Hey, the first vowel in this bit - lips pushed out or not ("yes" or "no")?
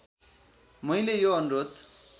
no